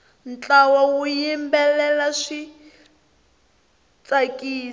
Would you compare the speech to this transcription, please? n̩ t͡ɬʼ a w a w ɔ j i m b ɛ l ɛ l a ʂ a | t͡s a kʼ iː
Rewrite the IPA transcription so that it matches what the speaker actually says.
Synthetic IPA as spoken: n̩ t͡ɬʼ a w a w u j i m b ɛ l ɛ l a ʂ i | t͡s a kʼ iː